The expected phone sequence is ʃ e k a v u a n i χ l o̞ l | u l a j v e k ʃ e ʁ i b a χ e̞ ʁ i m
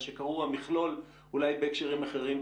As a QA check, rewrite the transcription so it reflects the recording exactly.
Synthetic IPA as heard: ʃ e k a ʁ u a m i χ l o̞ l | u l a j b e k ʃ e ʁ i m a χ e̞ ʁ i m